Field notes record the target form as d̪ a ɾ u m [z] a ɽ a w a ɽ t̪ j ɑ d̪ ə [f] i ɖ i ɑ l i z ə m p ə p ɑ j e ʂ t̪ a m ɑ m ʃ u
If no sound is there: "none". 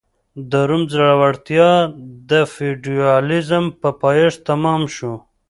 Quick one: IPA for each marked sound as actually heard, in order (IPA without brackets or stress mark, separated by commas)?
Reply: z, f